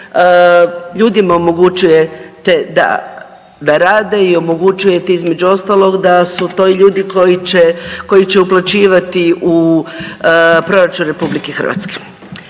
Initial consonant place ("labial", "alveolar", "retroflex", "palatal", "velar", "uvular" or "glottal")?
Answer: palatal